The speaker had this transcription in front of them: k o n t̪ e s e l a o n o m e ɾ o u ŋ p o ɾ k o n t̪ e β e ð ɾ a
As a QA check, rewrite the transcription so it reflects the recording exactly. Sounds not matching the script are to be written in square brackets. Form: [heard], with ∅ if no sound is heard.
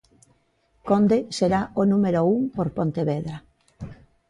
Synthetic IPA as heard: k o n [d̪] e s e [ɾ] a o n [u] m e ɾ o u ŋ p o ɾ [p] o n t̪ e β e ð ɾ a